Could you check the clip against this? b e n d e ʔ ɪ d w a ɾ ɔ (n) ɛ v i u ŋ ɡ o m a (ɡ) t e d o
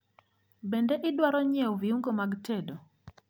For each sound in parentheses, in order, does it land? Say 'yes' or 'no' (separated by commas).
no, yes